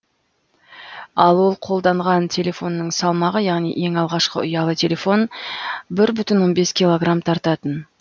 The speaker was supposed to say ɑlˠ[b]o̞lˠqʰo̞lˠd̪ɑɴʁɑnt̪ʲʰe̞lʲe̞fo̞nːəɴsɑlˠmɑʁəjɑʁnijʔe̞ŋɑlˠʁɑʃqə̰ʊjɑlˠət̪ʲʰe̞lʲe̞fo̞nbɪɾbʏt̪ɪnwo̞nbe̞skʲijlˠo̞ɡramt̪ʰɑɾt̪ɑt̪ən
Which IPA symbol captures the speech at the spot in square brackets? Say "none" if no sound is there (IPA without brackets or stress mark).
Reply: w